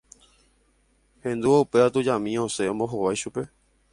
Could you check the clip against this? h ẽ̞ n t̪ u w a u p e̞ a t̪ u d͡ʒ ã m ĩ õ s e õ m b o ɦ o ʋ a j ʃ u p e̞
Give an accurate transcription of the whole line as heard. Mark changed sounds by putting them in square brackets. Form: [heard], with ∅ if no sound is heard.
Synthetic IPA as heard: h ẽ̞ n [d̪] u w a u p e̞ a t̪ u d͡ʒ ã m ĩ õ s e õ m b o ɦ o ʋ a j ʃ u p e̞